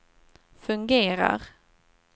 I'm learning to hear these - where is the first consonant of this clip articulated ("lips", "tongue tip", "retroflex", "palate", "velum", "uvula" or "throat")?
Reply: lips